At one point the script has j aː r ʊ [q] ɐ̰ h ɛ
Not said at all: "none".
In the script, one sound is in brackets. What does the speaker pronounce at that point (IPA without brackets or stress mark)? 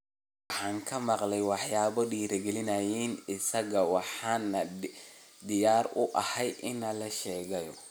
ʔ